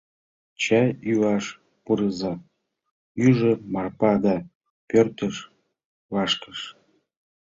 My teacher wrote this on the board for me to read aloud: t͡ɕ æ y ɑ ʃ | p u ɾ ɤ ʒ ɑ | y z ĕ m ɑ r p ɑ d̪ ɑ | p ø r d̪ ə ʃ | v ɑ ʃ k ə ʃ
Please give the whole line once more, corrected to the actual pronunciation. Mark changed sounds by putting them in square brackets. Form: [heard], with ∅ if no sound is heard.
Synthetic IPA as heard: t͡ɕ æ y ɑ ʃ | p u ɾ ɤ [z] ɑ | y [ʒ] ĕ m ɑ r p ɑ d̪ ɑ | p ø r [t̪] ə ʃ | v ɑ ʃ k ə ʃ